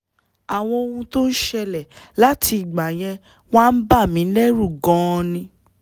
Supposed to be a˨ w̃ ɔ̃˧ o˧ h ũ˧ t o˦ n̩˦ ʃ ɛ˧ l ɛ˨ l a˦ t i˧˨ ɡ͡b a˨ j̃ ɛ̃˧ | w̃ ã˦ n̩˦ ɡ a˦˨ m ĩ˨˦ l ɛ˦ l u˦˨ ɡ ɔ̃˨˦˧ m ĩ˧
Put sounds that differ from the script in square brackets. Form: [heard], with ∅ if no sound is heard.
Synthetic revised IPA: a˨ w̃ ɔ̃˧ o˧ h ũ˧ t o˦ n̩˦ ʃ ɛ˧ l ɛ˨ l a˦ t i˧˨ ɡ͡b a˨ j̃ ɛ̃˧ | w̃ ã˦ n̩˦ [b] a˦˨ m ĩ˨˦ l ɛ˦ [ɾ] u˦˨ ɡ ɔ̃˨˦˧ [n] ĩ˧